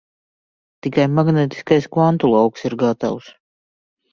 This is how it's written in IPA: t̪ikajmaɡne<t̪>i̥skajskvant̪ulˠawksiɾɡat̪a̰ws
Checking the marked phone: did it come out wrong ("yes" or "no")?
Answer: no